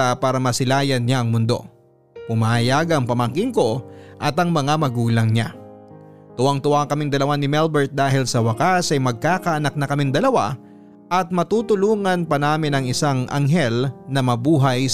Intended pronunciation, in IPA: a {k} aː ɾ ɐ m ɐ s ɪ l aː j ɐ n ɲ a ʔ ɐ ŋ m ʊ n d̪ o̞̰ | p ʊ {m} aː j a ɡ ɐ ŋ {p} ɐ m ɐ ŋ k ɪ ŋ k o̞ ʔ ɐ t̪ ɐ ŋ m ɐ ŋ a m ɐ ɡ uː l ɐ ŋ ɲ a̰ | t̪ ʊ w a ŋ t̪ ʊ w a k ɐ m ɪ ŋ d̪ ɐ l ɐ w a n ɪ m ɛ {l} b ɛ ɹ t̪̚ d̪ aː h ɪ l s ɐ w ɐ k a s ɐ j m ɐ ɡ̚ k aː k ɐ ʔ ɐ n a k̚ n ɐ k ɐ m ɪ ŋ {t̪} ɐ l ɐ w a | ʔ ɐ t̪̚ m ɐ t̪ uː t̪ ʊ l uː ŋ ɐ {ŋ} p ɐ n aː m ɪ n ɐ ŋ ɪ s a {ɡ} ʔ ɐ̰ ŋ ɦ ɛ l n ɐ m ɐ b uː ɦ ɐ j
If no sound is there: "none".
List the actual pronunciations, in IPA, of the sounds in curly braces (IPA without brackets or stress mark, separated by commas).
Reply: p, m, p, l, d̪, n, ŋ